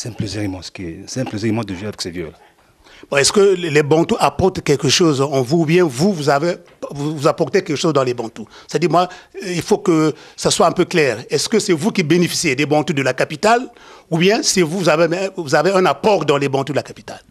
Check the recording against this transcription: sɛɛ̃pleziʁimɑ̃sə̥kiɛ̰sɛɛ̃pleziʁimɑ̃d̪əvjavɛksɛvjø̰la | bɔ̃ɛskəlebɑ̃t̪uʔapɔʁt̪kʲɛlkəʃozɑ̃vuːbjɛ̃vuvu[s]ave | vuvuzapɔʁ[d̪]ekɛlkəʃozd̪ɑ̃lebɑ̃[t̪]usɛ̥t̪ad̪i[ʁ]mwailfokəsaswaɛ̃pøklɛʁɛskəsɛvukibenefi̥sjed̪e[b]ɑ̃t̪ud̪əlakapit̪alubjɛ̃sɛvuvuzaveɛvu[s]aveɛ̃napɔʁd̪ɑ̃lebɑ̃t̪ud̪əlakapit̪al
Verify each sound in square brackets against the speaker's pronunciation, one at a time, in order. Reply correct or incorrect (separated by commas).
incorrect, incorrect, correct, correct, correct, incorrect